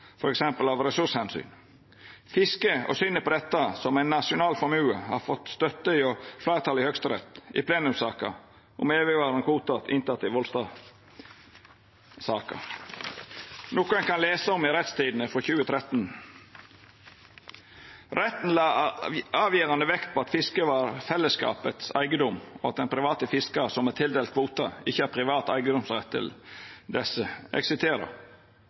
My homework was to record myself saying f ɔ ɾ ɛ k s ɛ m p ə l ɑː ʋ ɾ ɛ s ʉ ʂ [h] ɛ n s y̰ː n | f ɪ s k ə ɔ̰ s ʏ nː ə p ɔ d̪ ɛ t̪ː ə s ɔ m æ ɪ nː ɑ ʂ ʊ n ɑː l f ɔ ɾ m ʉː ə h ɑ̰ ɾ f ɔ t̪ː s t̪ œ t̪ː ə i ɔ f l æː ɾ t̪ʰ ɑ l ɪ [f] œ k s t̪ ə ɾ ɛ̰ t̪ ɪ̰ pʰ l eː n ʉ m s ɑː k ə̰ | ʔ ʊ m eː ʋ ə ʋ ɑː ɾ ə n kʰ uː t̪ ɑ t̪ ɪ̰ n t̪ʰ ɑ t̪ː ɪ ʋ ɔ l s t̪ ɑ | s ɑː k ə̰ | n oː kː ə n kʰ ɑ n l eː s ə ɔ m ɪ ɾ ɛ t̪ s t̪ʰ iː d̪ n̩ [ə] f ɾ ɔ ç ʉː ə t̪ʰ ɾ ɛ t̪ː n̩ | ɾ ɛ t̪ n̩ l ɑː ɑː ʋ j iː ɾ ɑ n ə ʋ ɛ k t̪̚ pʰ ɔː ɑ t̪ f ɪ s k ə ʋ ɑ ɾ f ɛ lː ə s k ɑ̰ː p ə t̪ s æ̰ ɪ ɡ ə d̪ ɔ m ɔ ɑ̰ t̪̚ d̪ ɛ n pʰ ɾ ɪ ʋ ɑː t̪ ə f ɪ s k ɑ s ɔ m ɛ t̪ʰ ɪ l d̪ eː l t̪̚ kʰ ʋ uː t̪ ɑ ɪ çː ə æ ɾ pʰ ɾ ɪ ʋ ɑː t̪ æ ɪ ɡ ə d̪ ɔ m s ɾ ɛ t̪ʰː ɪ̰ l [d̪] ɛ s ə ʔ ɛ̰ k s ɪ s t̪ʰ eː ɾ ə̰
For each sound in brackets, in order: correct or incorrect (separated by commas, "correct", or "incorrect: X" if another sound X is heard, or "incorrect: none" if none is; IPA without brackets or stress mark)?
correct, incorrect: h, correct, correct